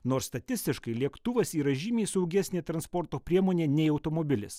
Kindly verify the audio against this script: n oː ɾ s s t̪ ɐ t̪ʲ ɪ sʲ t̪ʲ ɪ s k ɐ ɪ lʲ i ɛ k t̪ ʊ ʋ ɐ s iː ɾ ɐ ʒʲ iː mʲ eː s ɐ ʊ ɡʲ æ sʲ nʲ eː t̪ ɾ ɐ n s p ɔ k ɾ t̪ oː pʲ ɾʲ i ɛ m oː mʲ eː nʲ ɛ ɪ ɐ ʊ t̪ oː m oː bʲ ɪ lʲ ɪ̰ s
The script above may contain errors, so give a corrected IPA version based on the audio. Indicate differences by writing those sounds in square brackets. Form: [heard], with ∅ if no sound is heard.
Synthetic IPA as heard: n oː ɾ s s t̪ ɐ t̪ʲ ɪ sʲ t̪ʲ ɪ [ʃ] k ɐ ɪ lʲ i ɛ k t̪ ʊ ʋ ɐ s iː ɾ ɐ ʒʲ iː mʲ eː s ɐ ʊ ɡʲ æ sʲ nʲ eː t̪ ɾ ɐ n s p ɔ [∅] ɾ t̪ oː pʲ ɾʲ i ɛ m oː [nʲ] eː nʲ ɛ ɪ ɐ ʊ t̪ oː m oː bʲ ɪ lʲ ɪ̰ s